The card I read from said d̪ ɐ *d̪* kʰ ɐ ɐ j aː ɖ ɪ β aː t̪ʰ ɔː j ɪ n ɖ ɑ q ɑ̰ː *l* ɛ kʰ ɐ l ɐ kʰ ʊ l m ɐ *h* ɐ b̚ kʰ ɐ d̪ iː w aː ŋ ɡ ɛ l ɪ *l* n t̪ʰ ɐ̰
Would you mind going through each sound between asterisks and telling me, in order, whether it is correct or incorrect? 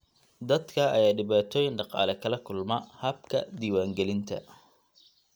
correct, correct, correct, incorrect

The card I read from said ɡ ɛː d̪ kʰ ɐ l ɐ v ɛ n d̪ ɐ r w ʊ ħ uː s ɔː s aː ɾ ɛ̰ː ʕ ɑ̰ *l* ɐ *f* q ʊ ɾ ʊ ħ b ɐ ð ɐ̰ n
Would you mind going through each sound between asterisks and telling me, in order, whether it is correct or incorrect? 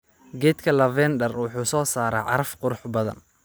incorrect, correct

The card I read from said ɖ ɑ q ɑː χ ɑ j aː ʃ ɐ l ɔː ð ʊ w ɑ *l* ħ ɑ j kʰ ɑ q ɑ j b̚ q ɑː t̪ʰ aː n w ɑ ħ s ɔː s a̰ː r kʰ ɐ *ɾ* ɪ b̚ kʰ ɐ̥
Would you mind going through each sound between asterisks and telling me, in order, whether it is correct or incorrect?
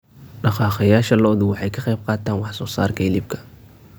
incorrect, incorrect

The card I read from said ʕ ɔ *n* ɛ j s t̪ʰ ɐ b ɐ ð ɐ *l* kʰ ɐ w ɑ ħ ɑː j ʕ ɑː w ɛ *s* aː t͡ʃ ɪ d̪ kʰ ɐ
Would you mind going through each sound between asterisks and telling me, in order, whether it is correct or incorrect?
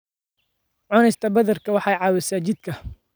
correct, incorrect, correct

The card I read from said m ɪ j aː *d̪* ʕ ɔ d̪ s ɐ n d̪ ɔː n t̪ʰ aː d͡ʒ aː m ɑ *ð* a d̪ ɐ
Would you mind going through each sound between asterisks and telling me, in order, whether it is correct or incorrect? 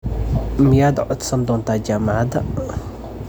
correct, incorrect

